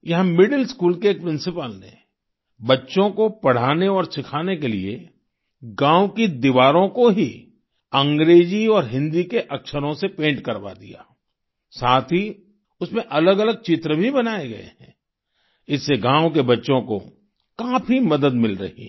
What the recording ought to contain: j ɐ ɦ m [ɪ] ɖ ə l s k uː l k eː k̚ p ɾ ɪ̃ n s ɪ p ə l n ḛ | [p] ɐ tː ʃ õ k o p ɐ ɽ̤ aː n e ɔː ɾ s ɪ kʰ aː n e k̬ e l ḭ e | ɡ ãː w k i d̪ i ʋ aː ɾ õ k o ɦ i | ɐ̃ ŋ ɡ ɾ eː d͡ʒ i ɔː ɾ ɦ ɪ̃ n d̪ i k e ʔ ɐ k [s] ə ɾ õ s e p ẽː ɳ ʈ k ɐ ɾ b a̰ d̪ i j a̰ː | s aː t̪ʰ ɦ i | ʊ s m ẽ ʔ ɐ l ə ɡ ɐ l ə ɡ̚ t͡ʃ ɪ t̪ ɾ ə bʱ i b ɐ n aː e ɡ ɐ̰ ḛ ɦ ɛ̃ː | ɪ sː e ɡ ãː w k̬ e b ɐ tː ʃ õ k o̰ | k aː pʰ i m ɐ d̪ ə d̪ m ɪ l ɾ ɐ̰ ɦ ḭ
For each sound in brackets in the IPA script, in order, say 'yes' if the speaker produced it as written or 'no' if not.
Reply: yes, no, no

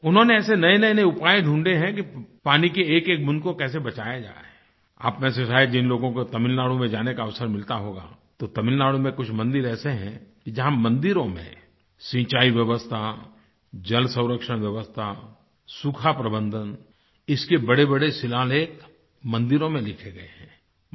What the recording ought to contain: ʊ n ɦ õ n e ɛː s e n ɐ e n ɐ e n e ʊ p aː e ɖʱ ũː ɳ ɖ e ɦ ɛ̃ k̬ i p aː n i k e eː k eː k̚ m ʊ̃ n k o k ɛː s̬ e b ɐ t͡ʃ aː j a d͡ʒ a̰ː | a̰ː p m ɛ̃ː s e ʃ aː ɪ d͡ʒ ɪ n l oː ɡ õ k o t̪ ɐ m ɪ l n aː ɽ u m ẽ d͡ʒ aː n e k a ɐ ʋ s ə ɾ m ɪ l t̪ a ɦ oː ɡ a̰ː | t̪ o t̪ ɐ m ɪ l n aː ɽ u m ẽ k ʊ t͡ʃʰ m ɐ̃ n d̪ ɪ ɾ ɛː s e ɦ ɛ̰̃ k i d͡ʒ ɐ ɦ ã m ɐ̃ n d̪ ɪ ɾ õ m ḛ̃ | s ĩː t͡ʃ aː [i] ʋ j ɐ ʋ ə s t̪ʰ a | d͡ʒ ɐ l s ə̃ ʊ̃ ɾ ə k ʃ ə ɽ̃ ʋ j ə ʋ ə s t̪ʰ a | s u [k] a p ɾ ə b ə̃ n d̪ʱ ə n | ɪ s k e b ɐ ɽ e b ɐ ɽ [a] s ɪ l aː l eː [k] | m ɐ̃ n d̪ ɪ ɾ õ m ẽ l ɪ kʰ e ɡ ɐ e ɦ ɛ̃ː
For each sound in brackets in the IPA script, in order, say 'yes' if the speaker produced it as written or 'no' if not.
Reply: yes, no, no, yes

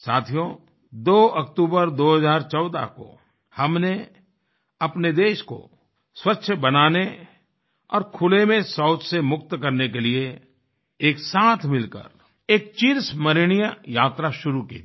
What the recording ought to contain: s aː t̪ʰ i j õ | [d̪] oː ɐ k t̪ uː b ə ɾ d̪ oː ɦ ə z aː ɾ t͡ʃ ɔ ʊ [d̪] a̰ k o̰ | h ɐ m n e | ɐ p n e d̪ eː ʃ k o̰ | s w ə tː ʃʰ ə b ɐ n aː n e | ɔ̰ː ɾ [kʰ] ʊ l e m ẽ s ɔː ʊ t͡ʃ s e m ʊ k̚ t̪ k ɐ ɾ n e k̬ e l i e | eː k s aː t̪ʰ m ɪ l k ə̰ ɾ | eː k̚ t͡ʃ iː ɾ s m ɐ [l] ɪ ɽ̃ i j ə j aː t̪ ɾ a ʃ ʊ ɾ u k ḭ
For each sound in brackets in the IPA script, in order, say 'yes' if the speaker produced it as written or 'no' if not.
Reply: yes, yes, yes, no

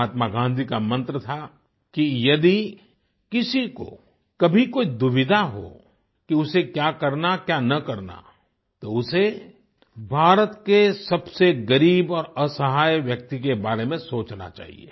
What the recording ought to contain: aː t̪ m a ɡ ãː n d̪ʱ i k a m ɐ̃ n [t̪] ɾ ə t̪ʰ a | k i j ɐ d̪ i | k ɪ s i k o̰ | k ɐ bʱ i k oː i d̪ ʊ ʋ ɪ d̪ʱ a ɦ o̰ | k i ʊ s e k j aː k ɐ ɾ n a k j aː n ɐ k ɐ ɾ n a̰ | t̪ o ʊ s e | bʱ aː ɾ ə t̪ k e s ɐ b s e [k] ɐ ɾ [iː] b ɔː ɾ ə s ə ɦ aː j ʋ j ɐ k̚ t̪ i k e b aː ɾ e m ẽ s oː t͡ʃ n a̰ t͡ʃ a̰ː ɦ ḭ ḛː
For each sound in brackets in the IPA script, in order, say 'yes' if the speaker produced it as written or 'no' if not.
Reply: yes, no, yes

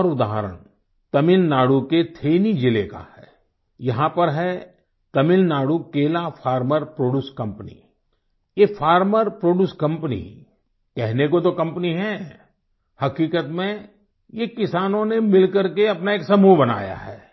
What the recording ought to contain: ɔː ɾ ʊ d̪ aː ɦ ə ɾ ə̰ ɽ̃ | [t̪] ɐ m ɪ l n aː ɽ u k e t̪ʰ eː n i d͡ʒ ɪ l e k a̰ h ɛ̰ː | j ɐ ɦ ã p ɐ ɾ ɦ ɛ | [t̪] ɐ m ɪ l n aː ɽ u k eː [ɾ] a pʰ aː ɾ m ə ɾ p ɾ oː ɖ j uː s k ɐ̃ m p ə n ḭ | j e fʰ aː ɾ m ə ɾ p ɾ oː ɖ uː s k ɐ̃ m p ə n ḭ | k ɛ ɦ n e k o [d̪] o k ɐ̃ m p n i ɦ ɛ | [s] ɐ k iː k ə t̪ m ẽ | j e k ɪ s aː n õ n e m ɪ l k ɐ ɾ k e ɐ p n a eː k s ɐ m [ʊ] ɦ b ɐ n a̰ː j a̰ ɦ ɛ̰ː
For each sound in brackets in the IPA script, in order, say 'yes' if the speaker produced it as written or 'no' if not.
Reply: yes, yes, no, no, no, no

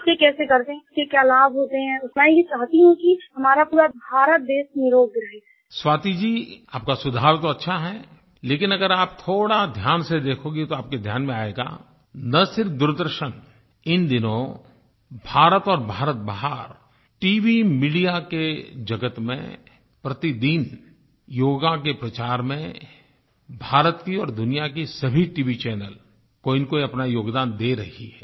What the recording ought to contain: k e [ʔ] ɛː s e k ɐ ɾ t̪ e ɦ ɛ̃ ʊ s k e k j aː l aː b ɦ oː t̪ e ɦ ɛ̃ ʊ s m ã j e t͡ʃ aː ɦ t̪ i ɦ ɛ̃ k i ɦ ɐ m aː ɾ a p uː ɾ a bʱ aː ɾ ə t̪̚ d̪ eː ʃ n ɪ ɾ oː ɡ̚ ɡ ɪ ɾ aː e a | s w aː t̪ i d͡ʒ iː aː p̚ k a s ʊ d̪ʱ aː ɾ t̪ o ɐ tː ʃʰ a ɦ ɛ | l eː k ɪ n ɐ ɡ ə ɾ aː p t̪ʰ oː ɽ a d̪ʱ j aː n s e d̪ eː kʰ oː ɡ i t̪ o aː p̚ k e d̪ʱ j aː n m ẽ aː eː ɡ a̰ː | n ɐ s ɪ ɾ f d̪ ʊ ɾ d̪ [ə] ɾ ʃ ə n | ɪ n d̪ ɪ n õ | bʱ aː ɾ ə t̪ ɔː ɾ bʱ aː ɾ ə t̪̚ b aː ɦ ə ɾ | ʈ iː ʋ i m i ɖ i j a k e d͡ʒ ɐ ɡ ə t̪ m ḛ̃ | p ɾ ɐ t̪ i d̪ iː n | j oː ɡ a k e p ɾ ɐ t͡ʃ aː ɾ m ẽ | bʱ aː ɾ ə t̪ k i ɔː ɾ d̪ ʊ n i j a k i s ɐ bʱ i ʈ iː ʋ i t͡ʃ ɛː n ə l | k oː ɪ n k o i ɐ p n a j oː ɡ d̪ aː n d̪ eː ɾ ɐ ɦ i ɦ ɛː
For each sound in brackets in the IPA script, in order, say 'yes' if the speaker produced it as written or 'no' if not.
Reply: no, yes

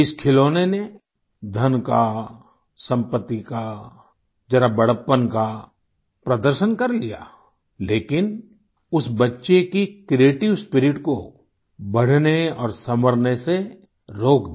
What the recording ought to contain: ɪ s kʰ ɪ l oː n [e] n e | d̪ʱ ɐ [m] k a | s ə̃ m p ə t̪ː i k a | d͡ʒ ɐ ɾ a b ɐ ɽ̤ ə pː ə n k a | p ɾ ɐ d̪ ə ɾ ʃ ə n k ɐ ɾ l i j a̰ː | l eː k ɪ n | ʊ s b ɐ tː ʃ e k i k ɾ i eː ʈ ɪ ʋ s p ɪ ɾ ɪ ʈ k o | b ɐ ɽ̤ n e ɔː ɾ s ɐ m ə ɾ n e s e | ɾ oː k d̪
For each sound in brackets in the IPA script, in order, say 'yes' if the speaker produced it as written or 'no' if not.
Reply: yes, no

